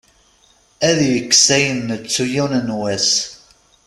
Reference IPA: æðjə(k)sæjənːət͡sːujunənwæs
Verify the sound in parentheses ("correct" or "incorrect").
correct